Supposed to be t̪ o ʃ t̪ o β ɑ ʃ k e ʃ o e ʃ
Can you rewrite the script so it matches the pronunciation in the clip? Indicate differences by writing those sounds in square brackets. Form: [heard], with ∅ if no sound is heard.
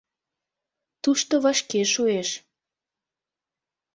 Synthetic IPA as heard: t̪ [u] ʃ t̪ o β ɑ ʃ k e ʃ [u] e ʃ